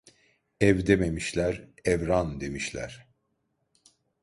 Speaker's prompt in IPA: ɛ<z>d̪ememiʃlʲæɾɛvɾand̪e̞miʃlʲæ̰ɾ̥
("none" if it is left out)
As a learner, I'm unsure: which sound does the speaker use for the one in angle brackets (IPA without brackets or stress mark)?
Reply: v